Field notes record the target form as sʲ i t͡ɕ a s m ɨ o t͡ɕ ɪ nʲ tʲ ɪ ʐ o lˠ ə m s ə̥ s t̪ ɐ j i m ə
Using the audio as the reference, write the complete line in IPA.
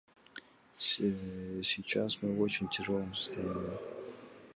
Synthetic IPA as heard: sʲ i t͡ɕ a s m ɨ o t͡ɕ ɪ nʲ tʲ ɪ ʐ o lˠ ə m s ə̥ s t̪ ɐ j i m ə